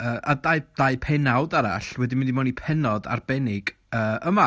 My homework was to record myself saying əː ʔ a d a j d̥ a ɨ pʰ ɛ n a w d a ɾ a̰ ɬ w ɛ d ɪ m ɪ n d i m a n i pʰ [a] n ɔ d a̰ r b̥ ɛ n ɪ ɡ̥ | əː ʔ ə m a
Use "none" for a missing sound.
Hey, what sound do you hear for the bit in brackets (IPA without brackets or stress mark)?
ɛ